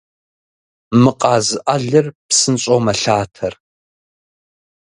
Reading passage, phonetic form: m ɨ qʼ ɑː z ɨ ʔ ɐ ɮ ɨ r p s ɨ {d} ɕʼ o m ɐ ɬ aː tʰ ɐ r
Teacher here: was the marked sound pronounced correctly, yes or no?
no